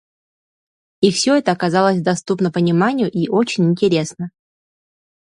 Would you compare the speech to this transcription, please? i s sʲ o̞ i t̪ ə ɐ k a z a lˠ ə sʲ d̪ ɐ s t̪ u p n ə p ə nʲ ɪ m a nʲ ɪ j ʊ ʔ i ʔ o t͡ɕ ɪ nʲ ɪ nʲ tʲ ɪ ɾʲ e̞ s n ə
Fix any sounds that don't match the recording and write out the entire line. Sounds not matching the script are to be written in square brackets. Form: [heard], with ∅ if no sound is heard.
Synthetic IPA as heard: i [f] sʲ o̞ [ɛ] t̪ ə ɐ k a z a lˠ ə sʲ d̪ ɐ s t̪ u p n ə p ə nʲ ɪ m a nʲ ɪ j ʊ ʔ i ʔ o t͡ɕ ɪ nʲ ɪ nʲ tʲ ɪ ɾʲ e̞ s n ə